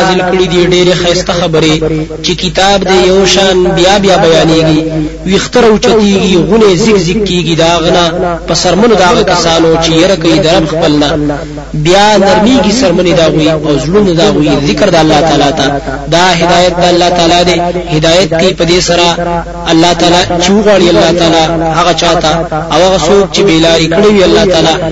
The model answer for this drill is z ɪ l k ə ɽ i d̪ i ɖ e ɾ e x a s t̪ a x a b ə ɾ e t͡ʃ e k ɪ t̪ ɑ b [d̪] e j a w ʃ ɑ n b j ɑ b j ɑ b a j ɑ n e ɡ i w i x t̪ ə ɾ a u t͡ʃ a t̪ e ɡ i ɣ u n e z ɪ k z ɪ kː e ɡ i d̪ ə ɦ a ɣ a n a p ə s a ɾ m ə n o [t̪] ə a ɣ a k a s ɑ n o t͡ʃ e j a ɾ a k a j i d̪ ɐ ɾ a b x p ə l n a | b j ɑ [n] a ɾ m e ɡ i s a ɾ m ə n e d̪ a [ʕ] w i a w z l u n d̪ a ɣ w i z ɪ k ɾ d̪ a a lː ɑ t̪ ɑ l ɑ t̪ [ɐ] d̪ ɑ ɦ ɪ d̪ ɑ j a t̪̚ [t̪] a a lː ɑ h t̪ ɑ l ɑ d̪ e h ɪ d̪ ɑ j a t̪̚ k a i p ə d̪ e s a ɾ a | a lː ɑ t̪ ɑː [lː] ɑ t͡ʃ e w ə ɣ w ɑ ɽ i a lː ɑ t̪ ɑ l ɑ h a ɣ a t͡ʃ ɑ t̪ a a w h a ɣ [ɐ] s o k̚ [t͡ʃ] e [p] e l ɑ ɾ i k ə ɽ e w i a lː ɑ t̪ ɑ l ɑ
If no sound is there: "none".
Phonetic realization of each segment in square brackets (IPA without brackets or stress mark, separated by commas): d̪, d̪, n, ɣ, a, d̪, l, a, t͡ʃ, b